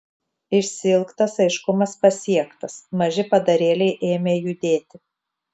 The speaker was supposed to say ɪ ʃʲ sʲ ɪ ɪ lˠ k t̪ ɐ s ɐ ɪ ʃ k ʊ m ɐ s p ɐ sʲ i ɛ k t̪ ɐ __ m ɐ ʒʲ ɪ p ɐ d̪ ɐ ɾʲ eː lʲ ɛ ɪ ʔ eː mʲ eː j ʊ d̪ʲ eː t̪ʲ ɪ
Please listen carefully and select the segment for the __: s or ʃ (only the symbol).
s